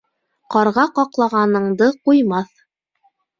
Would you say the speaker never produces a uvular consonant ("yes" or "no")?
no